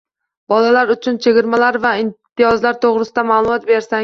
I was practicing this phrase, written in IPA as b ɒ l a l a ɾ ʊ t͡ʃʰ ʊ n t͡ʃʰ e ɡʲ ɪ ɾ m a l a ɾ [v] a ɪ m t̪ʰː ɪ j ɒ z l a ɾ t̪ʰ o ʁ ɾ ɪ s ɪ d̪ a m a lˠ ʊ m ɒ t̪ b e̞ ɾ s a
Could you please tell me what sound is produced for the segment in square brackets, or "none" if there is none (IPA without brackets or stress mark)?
v